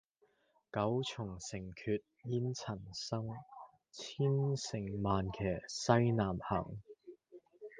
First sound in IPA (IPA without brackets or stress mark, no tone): k